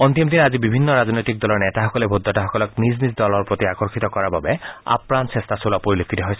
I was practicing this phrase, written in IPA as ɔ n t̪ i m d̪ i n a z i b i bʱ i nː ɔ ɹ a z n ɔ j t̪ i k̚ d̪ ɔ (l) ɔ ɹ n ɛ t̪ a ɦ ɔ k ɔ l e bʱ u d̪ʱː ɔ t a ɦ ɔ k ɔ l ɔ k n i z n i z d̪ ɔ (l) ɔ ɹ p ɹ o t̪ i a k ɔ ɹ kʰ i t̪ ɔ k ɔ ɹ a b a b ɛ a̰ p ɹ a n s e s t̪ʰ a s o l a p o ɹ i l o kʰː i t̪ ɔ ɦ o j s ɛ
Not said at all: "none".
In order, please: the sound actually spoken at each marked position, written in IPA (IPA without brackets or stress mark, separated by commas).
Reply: l, l